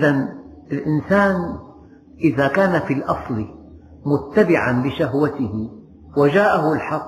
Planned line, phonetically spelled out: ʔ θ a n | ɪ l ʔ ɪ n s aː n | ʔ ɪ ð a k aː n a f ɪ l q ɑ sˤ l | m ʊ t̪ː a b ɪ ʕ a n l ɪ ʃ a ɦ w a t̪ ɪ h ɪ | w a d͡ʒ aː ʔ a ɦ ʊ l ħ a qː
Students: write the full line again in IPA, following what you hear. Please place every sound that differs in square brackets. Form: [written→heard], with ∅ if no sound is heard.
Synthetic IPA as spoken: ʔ [θ→ð] a n | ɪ l ʔ ɪ n s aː n | ʔ ɪ ð a k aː n a f [ɪ→i] l [q→ʔ] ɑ sˤ l | m ʊ t̪ː a b ɪ ʕ a n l ɪ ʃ a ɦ w a t̪ ɪ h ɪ | w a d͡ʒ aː ʔ a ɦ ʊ l ħ [a→ɑ] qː